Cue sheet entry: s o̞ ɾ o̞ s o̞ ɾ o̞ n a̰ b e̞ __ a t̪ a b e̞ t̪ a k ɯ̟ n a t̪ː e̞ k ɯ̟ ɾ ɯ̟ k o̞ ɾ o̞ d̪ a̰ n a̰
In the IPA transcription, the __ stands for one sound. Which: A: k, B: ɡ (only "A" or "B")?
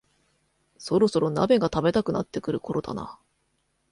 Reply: B